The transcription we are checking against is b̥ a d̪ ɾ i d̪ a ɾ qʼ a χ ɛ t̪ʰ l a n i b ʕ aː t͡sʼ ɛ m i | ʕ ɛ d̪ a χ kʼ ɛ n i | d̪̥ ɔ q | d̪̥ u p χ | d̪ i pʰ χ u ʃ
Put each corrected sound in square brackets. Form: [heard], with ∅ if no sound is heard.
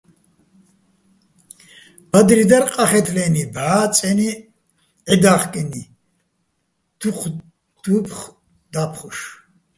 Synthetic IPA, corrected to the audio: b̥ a d̪ ɾ i d̪ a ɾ qʼ a χ ɛ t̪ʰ l [ɛ] n i b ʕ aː t͡sʼ ɛ [n] i | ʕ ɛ d̪ a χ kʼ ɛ n i | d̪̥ [u] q | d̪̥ u p χ | d̪ [a] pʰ χ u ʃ